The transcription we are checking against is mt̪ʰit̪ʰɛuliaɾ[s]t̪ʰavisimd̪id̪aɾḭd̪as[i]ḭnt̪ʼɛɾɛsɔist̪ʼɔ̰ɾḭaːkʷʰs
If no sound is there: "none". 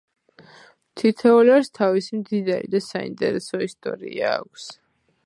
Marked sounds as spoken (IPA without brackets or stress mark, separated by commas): s, a